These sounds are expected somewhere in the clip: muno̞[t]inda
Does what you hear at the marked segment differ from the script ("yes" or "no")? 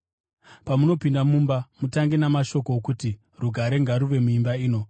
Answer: yes